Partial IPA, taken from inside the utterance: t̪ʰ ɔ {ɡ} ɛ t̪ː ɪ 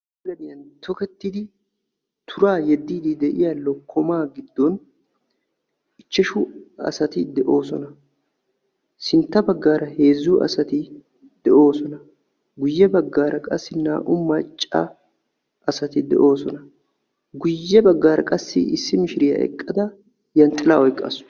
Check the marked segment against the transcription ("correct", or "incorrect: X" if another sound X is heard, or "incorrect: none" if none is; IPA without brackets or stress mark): incorrect: k